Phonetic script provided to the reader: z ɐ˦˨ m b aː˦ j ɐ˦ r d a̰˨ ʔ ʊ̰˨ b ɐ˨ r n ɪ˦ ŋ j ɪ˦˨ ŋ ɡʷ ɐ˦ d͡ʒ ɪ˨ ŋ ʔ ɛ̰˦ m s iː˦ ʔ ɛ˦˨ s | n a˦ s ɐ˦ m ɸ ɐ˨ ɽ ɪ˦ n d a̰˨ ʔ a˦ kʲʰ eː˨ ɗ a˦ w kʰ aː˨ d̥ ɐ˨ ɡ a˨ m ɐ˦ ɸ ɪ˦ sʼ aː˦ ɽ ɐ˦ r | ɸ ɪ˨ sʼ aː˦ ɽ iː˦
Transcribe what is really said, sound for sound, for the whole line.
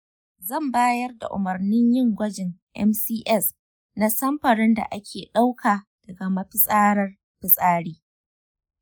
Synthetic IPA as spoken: z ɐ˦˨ m b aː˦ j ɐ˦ r d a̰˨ ʔ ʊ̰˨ m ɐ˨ r n ɪ˦ ɲ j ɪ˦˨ ŋ ɡʷ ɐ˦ d͡ʒ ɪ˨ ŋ ʔ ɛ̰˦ m s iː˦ ʔ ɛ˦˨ s | n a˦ s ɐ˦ m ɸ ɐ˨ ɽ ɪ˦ n d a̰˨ ʔ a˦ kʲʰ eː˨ ɗ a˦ w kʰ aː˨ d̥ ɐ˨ ɡ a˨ m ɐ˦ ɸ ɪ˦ sʼ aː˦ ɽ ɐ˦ r | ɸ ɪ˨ sʼ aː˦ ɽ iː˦

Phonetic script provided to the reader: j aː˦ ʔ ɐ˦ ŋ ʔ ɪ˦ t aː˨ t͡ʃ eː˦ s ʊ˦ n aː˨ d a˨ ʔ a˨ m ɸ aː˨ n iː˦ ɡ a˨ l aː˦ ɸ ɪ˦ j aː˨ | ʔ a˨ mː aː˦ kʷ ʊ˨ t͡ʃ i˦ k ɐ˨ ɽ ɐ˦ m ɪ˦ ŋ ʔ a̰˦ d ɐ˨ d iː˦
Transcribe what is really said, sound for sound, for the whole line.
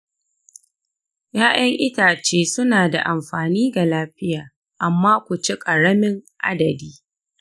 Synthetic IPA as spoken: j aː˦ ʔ ɐ˦ ŋ ʔ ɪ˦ t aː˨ t͡ʃ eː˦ s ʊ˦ n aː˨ d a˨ ʔ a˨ m ɸ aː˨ n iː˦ ɡ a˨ l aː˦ ɸ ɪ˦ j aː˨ | ʔ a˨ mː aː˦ kʷ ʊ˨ t͡ʃ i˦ kʼ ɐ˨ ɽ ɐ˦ m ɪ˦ ŋ ʔ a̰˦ d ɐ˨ d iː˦

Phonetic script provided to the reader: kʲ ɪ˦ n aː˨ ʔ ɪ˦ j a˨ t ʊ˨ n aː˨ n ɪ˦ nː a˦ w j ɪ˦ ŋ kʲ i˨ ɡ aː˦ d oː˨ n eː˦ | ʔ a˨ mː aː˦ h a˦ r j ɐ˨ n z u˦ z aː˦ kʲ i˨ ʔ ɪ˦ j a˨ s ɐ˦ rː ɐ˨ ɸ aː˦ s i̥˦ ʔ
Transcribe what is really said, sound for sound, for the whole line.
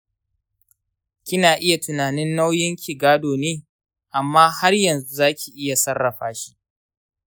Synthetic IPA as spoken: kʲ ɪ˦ n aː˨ ʔ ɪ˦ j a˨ t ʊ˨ n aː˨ n ɪ˦ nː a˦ w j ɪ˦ ŋ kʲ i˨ ɡ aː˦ d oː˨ n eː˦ | ʔ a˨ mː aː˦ h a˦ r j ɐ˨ n z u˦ z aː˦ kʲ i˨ ʔ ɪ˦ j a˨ s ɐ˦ rː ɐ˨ ɸ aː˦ ʃ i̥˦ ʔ

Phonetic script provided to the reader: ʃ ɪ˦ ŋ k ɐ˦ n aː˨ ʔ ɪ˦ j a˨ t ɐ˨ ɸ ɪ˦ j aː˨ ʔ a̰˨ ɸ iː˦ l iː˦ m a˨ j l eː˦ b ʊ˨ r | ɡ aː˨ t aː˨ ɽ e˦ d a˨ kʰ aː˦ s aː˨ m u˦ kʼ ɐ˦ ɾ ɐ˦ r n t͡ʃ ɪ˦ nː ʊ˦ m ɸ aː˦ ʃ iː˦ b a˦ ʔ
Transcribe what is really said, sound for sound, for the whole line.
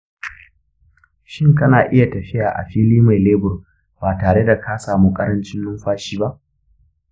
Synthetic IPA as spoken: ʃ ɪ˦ ŋ k ɐ˦ n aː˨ ʔ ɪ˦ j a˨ t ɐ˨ ɸ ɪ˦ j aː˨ ʔ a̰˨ ɸ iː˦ l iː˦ m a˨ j l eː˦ b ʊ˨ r | b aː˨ t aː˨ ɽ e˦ d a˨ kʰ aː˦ s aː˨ m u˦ kʼ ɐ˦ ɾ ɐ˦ n t͡ʃ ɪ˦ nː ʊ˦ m ɸ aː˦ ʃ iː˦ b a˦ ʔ

